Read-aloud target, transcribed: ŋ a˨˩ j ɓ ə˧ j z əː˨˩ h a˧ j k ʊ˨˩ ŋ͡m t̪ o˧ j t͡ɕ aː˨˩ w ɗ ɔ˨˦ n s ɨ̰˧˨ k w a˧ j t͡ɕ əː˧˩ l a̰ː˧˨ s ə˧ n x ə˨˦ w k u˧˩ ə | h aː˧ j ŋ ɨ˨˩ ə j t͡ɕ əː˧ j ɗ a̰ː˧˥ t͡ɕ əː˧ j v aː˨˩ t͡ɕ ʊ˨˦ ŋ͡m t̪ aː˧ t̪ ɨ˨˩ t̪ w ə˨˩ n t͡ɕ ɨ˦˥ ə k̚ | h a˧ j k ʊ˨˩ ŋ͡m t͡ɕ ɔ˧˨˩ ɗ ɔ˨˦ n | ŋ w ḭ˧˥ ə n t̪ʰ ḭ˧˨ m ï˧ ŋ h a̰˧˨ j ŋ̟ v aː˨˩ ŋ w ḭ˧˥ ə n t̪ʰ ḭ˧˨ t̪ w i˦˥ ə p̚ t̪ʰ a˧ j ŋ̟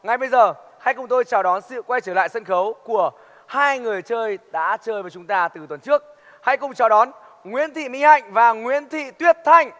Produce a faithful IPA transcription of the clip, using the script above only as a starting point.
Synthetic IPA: ŋ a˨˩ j ɓ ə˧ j z əː˨˩ h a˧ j k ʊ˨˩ ŋ͡m t̪ o˧ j t͡ɕ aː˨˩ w ɗ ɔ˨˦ n s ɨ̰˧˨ k w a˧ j t͡ɕ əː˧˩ l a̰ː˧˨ s ə˧ n x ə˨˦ w k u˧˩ ə | h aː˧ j ŋ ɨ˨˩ ə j t͡ɕ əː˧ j ɗ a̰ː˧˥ t͡ɕ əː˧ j v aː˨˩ t͡ɕ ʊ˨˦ ŋ͡m t̪ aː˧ t̪ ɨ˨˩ t̪ w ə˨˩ n t͡ɕ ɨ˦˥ ə k̚ | h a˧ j k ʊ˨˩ ŋ͡m t͡ɕ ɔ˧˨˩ ɗ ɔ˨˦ n | ŋ w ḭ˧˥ ə n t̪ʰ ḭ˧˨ m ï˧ ŋ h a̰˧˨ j ŋ̟ v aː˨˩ ŋ w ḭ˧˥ ə n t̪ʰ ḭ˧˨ t̪ w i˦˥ ə p̚ t̪ʰ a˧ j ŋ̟